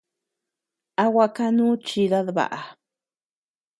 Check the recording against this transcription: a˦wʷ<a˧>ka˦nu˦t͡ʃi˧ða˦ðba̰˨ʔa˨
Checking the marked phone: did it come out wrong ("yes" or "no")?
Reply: no